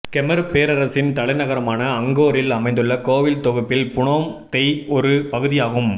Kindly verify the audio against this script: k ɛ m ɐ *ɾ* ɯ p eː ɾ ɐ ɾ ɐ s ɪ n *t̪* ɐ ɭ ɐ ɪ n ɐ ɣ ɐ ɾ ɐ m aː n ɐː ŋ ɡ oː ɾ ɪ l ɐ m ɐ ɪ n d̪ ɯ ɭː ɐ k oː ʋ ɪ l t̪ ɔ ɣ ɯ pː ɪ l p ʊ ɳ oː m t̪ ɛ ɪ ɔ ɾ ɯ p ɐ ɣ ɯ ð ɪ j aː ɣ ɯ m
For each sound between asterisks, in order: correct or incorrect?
correct, correct

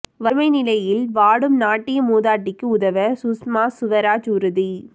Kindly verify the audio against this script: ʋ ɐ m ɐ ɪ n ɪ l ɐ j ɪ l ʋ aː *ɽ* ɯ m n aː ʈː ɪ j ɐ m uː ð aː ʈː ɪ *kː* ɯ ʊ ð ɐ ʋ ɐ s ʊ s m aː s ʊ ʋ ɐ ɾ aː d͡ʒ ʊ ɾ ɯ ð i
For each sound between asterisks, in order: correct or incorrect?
correct, correct

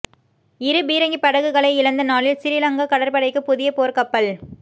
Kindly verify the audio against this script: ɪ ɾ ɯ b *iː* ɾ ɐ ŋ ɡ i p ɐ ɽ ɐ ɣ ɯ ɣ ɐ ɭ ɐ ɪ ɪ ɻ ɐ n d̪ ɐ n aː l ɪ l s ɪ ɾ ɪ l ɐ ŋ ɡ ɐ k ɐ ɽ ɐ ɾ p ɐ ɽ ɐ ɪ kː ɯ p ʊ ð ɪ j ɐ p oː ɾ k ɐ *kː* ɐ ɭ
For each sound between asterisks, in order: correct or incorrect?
correct, incorrect: pː

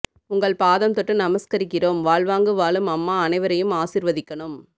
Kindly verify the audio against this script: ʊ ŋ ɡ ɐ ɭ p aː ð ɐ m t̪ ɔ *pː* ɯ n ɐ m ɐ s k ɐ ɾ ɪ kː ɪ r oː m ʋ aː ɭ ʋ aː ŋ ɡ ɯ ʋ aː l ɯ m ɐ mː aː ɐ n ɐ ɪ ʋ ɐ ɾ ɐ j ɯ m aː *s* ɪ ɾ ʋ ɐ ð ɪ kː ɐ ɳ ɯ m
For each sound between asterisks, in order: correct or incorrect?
incorrect: ʈː, correct

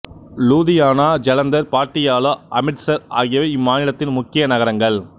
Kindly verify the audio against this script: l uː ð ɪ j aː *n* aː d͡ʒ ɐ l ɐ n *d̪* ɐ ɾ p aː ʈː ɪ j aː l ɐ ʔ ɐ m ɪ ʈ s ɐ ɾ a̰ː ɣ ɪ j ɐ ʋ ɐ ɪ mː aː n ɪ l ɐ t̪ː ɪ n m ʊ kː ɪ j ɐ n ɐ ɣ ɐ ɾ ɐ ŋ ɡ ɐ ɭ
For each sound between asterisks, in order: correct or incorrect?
correct, correct

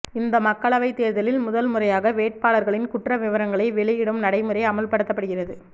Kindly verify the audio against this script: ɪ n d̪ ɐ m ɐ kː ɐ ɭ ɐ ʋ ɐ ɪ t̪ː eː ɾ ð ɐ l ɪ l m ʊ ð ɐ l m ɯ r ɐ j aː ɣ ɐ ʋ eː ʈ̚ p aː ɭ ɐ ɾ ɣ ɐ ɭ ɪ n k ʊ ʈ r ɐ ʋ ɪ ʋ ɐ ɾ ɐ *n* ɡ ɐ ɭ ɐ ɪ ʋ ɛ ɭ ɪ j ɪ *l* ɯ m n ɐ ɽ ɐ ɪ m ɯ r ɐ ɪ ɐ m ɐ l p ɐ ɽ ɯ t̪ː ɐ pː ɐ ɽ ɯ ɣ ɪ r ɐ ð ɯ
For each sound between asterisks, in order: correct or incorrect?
incorrect: ŋ, incorrect: ɽ

